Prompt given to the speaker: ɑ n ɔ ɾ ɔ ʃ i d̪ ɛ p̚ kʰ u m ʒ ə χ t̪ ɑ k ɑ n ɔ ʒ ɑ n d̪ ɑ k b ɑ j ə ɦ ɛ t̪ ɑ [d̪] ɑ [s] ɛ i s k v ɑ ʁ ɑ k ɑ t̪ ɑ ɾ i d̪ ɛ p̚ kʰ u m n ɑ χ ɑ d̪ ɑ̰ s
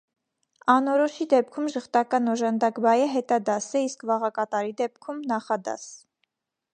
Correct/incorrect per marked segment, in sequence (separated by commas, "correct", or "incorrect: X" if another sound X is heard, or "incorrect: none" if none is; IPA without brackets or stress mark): correct, correct